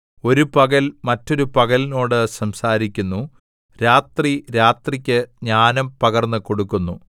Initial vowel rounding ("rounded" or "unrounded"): rounded